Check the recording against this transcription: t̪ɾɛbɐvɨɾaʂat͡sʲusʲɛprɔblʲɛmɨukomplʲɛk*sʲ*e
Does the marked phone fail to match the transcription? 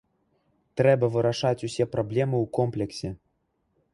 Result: no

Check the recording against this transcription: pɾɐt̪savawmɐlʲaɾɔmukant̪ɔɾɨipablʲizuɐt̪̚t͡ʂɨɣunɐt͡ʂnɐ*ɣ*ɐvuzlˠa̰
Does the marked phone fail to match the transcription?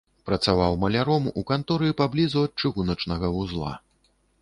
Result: no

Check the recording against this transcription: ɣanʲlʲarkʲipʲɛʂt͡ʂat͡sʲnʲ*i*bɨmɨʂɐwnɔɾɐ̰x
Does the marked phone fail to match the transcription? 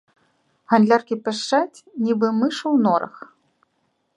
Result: no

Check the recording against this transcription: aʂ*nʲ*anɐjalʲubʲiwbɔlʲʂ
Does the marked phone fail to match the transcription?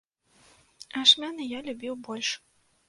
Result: yes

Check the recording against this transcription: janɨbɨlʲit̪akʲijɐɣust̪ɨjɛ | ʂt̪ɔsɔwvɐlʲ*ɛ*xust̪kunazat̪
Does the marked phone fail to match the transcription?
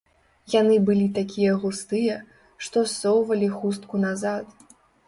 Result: yes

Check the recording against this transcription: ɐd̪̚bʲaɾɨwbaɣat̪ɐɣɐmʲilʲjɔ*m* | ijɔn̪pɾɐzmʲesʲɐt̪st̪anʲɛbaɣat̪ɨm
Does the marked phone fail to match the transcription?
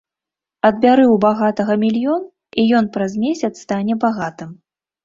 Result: yes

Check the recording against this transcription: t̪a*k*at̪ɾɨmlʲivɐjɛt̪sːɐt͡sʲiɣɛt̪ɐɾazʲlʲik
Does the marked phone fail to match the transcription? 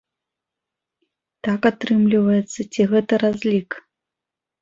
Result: no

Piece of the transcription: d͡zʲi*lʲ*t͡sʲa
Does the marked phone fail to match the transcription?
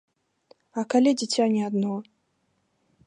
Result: yes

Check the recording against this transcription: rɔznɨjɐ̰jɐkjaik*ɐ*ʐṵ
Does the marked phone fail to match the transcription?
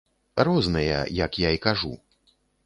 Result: yes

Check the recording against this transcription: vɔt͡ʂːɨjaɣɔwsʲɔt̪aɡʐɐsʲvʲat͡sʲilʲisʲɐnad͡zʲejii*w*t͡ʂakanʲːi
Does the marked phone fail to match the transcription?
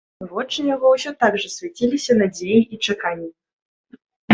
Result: yes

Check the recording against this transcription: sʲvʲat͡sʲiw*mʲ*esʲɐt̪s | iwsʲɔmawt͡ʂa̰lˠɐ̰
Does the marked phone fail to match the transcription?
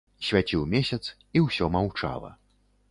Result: no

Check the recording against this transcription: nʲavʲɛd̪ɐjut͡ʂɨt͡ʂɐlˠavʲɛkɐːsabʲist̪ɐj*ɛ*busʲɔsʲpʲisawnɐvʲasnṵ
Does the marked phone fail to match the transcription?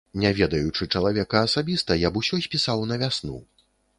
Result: yes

